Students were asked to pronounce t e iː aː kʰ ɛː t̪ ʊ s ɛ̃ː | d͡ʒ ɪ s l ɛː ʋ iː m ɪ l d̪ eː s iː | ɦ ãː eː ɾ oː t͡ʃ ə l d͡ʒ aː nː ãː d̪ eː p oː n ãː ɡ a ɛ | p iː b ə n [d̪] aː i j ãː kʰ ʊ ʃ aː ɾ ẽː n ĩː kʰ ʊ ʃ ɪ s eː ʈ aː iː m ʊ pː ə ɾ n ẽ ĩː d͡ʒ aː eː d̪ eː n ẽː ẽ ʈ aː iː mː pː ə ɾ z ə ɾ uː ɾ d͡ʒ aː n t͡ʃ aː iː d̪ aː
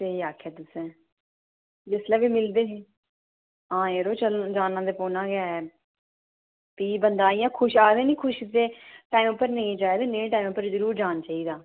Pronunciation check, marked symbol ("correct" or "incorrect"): correct